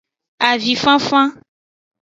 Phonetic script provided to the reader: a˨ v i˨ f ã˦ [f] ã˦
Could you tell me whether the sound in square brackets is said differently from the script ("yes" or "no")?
no